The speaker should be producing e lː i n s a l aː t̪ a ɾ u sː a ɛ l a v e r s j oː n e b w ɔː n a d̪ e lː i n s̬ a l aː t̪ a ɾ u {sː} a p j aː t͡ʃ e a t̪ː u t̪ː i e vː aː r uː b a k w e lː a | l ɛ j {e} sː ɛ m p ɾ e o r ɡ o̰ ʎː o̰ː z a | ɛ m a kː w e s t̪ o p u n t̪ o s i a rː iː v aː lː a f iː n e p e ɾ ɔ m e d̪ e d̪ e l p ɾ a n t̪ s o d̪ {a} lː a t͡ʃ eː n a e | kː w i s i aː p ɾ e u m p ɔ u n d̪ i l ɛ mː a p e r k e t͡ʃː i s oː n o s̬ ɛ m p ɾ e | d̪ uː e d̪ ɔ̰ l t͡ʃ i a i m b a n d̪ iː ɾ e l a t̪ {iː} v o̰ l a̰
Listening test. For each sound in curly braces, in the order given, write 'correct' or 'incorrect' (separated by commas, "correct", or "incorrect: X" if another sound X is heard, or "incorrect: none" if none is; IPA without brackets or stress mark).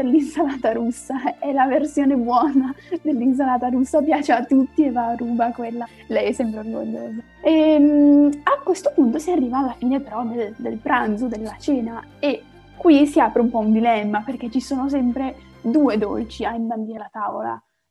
correct, incorrect: ɛ, incorrect: e, incorrect: aː